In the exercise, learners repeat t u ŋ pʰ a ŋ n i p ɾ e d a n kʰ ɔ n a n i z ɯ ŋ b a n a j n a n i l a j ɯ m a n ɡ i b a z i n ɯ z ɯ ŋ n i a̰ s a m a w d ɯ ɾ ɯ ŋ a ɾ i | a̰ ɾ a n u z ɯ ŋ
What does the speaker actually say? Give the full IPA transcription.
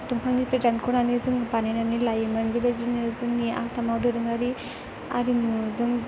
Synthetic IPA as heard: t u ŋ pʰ a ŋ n i p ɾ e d a n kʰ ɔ n a n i z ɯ ŋ b a n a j n a n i l a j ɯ m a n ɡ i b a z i n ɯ z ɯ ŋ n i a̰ s a m a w d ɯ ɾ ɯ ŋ a ɾ i | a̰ ɾ i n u z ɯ ŋ